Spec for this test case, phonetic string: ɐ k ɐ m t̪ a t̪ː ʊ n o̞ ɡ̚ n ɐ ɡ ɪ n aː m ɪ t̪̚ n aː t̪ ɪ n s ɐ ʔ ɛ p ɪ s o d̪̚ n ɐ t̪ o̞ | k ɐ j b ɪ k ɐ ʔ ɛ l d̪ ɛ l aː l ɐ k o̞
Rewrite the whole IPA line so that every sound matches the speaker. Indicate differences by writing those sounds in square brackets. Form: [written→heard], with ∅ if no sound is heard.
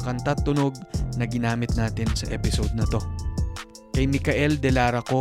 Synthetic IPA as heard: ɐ k ɐ [m→n] t̪ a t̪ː ʊ n o̞ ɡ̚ n ɐ ɡ ɪ n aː m ɪ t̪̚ n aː t̪ ɪ n s ɐ ʔ ɛ p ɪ s o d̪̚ n ɐ t̪ o̞ | k ɐ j [b→m] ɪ k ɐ ʔ ɛ l d̪ ɛ l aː [l→ɾ] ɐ k o̞